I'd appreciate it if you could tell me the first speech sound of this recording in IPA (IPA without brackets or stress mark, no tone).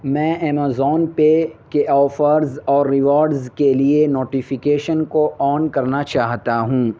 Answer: m